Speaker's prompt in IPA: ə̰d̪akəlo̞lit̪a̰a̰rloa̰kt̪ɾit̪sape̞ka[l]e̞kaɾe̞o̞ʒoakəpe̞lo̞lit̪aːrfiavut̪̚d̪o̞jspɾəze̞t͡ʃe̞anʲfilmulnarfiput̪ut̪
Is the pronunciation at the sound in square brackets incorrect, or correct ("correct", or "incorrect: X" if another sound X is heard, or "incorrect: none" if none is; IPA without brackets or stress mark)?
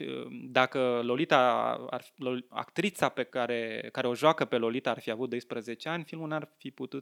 incorrect: ɾ